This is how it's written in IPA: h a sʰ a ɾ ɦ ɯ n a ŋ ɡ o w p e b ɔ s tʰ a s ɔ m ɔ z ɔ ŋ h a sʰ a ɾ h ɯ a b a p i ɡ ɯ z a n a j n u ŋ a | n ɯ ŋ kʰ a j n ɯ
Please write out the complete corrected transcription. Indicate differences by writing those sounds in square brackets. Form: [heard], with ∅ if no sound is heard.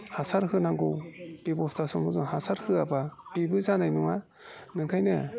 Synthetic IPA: h a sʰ a ɾ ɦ ɯ n a ŋ ɡ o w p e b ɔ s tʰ a s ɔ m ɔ z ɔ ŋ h a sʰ a ɾ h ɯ a b a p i [b] ɯ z a n a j n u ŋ a | n ɯ ŋ kʰ a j n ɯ